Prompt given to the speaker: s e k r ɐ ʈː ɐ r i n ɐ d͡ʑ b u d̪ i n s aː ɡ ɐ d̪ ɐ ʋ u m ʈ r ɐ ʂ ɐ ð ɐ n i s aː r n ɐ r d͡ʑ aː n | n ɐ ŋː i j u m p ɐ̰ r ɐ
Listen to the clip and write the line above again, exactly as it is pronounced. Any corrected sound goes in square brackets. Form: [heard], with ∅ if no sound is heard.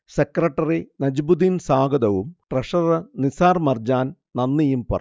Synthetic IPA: s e k r ɐ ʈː ɐ r i n ɐ d͡ʑ b u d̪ i n s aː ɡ ɐ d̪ ɐ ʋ u m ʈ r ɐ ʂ ɐ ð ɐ n i s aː r [m] ɐ r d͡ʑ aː n | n ɐ [nː] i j u m p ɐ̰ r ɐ